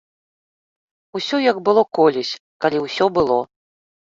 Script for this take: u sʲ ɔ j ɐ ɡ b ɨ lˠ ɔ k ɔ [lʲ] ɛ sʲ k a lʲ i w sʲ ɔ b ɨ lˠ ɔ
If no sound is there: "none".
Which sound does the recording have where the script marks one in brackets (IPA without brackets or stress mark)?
lʲ